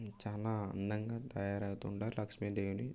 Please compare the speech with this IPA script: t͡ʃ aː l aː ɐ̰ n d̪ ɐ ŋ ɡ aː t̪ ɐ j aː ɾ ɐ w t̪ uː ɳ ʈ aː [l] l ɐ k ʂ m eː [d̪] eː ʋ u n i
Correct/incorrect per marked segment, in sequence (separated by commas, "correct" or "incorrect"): incorrect, correct